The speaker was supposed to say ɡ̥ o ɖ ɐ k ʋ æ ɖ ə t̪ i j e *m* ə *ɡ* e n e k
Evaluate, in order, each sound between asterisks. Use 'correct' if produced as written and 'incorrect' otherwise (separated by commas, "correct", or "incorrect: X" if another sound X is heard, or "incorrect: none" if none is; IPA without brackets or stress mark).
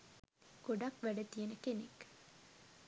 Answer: incorrect: n, incorrect: k